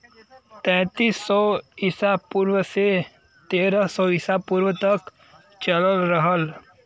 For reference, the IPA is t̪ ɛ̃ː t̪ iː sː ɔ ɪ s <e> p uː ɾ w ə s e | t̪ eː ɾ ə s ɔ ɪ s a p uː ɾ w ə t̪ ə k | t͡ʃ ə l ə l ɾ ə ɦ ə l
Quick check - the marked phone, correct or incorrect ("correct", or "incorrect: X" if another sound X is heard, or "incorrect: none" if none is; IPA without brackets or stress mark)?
incorrect: a